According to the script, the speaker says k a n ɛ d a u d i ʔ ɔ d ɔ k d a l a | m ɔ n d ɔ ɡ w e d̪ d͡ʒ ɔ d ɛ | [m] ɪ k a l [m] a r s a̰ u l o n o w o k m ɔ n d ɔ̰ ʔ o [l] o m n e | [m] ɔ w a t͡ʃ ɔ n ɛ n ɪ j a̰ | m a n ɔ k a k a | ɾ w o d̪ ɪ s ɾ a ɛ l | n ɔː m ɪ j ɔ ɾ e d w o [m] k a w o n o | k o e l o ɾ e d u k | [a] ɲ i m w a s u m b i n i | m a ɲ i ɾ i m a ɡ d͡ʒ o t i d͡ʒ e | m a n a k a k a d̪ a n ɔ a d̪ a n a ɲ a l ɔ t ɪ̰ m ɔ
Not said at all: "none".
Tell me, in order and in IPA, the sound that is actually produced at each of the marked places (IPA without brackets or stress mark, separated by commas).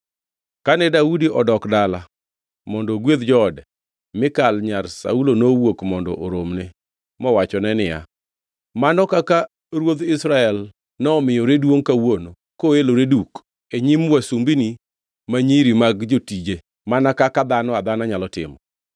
m, ɲ, ɾ, m, ŋ, e